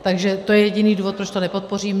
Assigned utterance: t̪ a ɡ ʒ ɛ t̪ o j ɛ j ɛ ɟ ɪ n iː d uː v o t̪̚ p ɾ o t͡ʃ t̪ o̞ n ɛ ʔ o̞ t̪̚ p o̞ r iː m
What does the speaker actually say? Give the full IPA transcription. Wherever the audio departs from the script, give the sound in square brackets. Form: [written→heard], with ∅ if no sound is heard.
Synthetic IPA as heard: t̪ a ɡ ʒ ɛ t̪ o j ɛ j ɛ ɟ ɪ n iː d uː v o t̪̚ p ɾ o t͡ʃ t̪ o̞ n ɛ [ʔ→p] o̞ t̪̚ p o̞ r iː m